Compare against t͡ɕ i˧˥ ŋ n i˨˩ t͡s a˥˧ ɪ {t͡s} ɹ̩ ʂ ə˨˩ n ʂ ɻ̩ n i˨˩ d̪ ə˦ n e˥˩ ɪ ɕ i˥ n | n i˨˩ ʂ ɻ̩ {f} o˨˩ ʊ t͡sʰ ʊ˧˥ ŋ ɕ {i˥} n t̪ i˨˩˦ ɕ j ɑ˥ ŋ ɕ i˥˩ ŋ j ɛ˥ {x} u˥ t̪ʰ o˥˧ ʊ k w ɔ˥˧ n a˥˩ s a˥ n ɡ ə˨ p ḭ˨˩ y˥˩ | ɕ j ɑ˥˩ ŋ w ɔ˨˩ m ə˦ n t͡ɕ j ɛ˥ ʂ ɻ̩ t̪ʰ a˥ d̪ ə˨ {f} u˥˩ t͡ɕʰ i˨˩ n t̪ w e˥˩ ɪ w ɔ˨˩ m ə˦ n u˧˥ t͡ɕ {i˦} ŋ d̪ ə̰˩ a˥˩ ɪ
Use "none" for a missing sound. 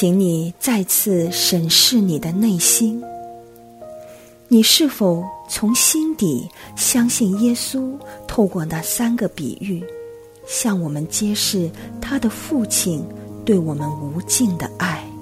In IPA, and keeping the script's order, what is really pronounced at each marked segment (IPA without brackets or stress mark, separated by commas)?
t͡sʰ, f, i˥, s, f, i˥˩